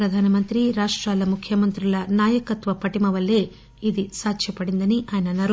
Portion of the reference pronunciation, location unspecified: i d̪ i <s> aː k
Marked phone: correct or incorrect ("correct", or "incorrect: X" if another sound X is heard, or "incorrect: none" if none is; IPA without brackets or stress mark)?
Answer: correct